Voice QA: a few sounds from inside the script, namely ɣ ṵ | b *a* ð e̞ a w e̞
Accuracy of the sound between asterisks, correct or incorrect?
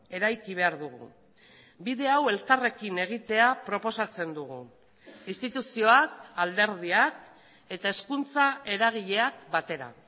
incorrect